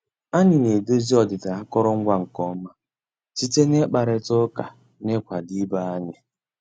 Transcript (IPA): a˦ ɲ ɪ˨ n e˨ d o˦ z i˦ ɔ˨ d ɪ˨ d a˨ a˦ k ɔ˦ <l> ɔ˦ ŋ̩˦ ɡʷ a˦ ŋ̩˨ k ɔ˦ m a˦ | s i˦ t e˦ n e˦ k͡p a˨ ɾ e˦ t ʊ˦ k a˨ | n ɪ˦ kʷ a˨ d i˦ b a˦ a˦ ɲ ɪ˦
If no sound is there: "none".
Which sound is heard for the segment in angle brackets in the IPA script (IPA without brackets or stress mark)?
ɾ